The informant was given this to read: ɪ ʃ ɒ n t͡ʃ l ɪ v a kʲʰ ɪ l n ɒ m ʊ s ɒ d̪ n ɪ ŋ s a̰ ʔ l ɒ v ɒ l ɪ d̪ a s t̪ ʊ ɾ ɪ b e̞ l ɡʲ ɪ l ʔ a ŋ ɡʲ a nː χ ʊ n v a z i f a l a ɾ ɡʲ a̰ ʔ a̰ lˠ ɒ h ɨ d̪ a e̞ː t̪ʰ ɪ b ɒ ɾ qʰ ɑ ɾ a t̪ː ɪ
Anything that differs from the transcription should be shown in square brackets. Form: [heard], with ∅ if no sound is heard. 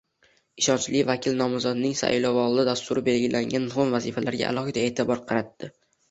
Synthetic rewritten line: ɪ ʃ ɒ n t͡ʃ l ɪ v a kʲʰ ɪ l n ɒ m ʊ [z] ɒ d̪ n ɪ ŋ s a̰ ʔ l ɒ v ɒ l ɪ d̪ a s t̪ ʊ ɾ ɪ b e̞ l ɡʲ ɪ l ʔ a ŋ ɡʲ a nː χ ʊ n v a z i f a l a ɾ ɡʲ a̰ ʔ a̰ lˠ ɒ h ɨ d̪ a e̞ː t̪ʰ ɪ b ɒ ɾ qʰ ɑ ɾ a t̪ː ɪ